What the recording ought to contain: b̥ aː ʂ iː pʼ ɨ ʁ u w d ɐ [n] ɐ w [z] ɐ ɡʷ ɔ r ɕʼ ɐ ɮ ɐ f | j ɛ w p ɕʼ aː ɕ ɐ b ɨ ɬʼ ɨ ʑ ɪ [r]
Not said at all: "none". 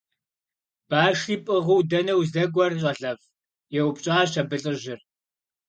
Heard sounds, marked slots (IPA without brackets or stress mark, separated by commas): n, z, r